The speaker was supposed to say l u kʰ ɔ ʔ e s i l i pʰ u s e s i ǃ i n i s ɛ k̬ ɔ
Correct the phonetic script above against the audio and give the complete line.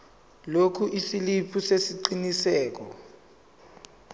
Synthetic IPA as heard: l o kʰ u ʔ i s i l i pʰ u s e s i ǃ i n i s ɛː k̬ ɔ